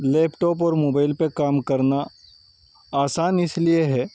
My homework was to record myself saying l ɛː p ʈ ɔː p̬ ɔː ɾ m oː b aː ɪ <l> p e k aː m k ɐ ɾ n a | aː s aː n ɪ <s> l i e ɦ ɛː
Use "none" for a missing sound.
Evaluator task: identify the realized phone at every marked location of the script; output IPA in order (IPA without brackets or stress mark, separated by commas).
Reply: l, s